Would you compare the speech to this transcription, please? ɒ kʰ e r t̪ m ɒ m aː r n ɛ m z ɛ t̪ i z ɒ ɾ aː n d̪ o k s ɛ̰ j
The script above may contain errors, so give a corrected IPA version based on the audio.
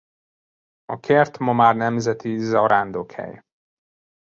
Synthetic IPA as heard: ɒ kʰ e r t̪ m ɒ m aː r n ɛ m z ɛ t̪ i z ɒ ɾ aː n d̪ o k h ɛ̰ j